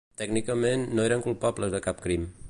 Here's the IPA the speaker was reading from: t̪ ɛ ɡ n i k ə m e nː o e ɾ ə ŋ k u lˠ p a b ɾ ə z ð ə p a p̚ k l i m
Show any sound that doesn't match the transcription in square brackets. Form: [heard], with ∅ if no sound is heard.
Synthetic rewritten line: t̪ ɛ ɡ n i k ə m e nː o e ɾ ə ŋ k u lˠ p a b [l] ə z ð ə [k] a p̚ k [ɾ] i m